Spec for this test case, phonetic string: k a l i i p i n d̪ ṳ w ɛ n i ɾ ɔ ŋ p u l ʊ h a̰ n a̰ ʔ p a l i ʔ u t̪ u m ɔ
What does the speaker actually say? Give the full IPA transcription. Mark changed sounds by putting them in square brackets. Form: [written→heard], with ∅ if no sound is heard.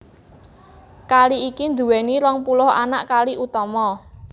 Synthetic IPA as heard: k a l i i [p→k] i n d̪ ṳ w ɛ n i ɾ ɔ ŋ p u l ʊ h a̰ n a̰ ʔ [p→k] a l i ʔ u t̪ [u→ɔ] m ɔ